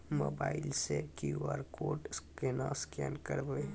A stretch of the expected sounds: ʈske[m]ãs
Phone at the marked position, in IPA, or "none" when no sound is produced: n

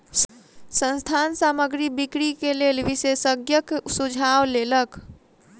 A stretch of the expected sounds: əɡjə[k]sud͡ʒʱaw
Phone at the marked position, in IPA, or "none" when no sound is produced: k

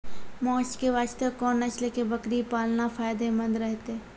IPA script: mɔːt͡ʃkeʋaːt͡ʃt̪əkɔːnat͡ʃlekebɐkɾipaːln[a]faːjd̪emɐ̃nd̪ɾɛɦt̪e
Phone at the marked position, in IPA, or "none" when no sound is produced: a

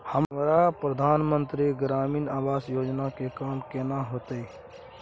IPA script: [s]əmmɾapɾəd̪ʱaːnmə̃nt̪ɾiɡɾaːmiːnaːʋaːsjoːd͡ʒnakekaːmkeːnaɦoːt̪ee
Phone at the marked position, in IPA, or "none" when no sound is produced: h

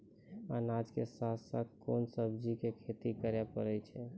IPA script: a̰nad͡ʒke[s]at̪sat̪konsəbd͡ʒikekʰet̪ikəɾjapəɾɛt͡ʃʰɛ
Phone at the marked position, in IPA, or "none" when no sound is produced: s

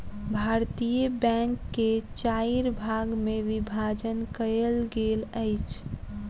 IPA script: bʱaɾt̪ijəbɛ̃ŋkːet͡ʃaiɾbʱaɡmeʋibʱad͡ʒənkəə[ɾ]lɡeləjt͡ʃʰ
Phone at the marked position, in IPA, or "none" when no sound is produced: none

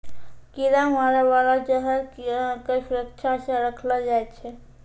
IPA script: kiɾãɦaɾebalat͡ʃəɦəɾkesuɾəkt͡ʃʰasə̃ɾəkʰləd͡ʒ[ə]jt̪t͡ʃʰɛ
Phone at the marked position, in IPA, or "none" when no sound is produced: a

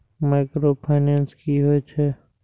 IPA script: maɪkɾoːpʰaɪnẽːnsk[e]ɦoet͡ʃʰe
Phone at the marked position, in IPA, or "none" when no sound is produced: i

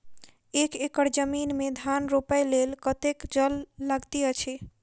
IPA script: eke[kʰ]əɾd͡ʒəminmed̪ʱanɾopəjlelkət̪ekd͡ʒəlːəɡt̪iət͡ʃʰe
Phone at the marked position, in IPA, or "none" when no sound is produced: k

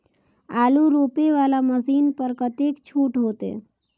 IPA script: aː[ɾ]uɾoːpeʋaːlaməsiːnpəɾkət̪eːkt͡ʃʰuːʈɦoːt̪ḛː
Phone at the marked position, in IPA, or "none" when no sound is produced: l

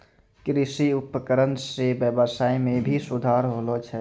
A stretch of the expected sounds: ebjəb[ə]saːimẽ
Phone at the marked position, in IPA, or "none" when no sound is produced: ə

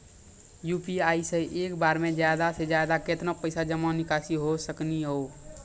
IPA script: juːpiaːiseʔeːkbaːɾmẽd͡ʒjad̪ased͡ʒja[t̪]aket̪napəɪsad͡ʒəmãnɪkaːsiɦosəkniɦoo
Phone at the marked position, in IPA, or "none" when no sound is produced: d̪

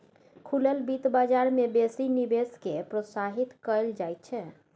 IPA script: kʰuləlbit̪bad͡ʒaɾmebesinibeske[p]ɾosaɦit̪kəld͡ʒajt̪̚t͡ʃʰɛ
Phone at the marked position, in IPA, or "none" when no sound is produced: p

